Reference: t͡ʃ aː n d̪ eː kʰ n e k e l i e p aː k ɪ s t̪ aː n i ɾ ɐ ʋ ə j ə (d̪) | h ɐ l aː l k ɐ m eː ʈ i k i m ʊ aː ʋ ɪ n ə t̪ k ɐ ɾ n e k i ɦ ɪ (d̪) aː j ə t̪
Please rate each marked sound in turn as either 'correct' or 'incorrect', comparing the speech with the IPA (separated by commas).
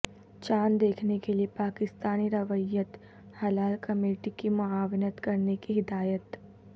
incorrect, correct